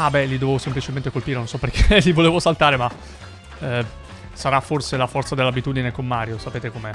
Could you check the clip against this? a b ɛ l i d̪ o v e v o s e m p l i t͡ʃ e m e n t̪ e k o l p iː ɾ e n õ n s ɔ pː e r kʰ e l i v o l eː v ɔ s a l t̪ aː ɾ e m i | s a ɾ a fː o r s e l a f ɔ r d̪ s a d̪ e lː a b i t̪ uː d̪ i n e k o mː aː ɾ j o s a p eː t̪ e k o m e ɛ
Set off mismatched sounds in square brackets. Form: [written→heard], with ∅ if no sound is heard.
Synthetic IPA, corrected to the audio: a b ɛ l i d̪ o v e v o s e m p l i t͡ʃ e m e n t̪ e k o l p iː ɾ e n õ n s ɔ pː e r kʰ e l i v o l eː v [ɔ→o] s a l t̪ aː ɾ e m [i→a] | s a ɾ a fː o r s e l a f ɔ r [d̪→t̪] s a d̪ e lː a b i t̪ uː d̪ i n e k o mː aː ɾ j o s a p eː t̪ e k o m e ɛ